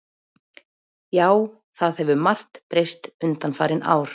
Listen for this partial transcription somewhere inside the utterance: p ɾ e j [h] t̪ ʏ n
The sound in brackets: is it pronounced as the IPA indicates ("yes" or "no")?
no